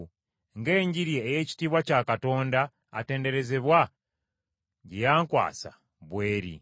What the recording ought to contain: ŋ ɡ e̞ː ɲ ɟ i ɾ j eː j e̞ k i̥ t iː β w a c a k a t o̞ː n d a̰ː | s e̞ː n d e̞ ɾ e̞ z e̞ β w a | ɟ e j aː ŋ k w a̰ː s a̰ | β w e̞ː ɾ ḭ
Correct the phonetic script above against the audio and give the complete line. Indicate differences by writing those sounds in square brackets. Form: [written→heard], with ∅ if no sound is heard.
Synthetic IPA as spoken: ŋ ɡ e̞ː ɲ ɟ i ɾ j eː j e̞ [k→c] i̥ t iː β w a c a k a t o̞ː n d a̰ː | [s→t] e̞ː n d e̞ ɾ e̞ z e̞ β w a | ɟ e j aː ŋ k w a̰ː s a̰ | β w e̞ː ɾ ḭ

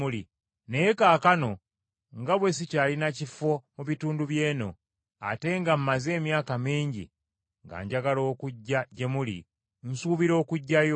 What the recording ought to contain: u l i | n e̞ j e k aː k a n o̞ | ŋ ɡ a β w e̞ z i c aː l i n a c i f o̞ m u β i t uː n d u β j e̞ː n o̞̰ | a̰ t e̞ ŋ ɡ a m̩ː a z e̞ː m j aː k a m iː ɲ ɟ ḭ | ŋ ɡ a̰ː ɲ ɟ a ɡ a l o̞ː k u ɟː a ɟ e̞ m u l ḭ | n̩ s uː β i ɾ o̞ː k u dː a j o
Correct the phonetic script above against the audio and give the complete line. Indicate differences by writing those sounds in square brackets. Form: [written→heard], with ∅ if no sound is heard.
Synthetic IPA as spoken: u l i | n e̞ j e k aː k a n o̞ | ŋ ɡ a β w e̞ [z→s] i c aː l i n a c i f o̞ m u β i t uː n d u β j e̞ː n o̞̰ | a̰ t e̞ ŋ ɡ a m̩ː a z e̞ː m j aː k a m iː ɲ ɟ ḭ | ŋ ɡ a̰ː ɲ ɟ a ɡ a l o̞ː k u ɟː a ɟ e̞ m u l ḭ | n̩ s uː β i ɾ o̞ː k u [dː→ɟː] a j o

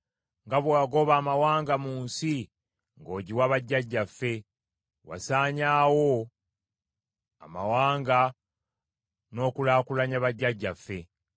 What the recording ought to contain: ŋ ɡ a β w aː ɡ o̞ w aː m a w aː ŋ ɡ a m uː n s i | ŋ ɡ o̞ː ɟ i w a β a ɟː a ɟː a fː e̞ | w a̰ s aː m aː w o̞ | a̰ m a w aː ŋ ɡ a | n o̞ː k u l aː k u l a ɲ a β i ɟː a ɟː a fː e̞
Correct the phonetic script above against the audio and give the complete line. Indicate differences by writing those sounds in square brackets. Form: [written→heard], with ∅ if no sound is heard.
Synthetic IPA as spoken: ŋ ɡ a β w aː ɡ o̞ [w→β] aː m a w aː ŋ ɡ a m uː n s i | ŋ ɡ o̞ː ɟ i w a β a ɟː a ɟː a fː e̞ | w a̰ s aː [m→ɲ] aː w o̞ | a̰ m a w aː ŋ ɡ a | n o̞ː k u l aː k u l a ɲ a β [i→a] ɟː a ɟː a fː e̞

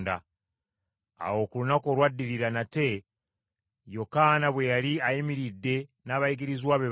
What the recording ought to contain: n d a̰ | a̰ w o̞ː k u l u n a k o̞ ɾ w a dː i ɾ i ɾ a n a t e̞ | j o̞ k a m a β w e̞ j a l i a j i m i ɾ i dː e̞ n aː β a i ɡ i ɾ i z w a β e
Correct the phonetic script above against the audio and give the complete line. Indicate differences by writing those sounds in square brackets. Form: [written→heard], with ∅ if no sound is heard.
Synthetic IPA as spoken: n d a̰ | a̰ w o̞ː k u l u n a k o̞ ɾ w a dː i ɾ i ɾ a n a t e̞ | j o̞ k a [m→n] a β w e̞ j a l i a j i m i ɾ i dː e̞ n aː β a i ɡ i ɾ i z w a β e

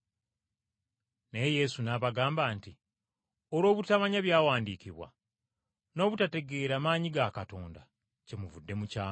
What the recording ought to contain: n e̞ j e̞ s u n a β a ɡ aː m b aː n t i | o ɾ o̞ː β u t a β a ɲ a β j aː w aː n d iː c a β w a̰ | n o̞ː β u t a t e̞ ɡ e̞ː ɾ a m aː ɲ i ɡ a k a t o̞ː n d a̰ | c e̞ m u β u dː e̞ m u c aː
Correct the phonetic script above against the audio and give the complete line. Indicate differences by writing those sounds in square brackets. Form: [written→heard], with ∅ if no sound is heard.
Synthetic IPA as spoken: n e̞ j e̞ s u n a β a ɡ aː m b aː n t i | o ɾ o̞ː β u t a β a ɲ a β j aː w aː n d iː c [a→i] β w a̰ | n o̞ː β u t a t e̞ ɡ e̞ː ɾ a m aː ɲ i ɡ a k a t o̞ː n d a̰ | c e̞ m u [β→v] u dː e̞ m u c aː

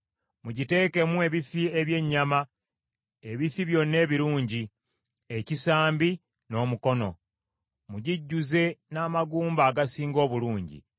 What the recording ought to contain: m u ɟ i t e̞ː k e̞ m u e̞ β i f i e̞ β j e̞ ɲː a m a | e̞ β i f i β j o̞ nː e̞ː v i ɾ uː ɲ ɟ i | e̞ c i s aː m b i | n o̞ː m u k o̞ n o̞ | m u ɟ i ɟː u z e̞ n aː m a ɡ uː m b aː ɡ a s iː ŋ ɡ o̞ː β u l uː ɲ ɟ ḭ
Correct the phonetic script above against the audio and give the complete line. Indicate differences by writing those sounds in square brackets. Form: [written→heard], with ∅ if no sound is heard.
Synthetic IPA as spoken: m u ɟ i t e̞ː k e̞ m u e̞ β i f i e̞ β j e̞ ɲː a m a | e̞ β i f i β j o̞ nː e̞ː [v→β] i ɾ uː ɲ ɟ i | e̞ c i s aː m b i | n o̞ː m u k o̞ n o̞ | m u ɟ i ɟː u z e̞ n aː m a ɡ uː m b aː ɡ a s iː ŋ ɡ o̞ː β u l uː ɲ ɟ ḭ

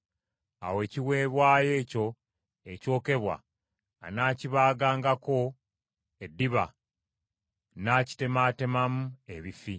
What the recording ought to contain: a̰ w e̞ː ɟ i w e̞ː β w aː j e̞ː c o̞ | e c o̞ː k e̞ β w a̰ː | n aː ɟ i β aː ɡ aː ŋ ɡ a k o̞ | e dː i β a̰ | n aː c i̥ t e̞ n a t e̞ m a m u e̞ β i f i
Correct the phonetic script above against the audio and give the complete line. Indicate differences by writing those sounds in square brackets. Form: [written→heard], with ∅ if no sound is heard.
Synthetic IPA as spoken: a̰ w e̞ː [ɟ→c] i w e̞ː β w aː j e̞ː c o̞ | e c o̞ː k e̞ β w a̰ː | n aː [ɟ→c] i β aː ɡ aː ŋ ɡ a k o̞ | e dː i β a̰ | n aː c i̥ t e̞ [n→m] a t e̞ m a m u e̞ β i f i

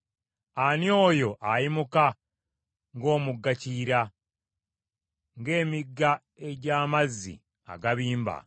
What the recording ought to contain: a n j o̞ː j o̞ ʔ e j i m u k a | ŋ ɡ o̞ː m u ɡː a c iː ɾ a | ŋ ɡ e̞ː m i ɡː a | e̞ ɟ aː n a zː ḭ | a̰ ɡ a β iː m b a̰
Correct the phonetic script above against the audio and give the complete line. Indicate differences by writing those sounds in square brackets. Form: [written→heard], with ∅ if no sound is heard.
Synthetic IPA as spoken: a n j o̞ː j o̞ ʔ [e→a] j i m u k a | ŋ ɡ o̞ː m u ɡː a c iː ɾ a | ŋ ɡ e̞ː m i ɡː a | e̞ ɟ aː [n→m] a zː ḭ | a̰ ɡ a β iː m b a̰

